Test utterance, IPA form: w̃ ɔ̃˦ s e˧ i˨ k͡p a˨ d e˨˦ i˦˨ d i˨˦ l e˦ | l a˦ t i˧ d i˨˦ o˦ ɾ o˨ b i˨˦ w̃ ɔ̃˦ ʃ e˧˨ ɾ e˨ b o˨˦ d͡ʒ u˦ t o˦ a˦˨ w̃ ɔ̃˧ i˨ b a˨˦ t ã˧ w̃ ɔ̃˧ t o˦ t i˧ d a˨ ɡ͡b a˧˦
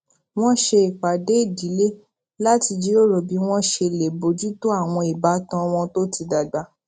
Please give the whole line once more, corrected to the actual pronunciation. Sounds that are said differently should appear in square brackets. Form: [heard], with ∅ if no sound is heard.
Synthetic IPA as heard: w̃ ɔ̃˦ [ʃ] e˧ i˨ k͡p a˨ d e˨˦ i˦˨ d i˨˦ l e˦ | l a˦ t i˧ [d͡ʒ] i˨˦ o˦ ɾ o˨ b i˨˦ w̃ ɔ̃˦ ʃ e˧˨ [l] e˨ b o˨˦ d͡ʒ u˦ t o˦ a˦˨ w̃ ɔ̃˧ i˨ b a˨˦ t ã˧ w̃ ɔ̃˧ t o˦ t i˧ d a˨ ɡ͡b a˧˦